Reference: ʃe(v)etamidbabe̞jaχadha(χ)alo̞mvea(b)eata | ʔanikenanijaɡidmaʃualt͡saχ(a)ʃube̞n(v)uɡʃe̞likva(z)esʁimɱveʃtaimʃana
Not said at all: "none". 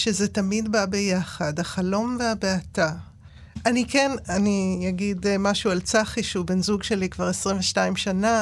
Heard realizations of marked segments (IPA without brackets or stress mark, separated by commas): z, χ, b, i, z, ʁ